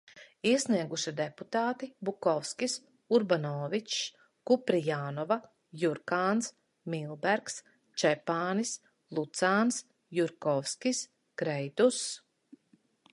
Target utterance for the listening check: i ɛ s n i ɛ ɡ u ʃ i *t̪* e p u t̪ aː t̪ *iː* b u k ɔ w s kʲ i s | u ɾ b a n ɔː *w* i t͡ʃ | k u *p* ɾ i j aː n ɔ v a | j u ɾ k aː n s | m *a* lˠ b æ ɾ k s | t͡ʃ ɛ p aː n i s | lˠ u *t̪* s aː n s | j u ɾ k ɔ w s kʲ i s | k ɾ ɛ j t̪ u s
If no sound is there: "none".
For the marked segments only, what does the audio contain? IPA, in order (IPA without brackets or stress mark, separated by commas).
d̪, i, v, p, i, t̪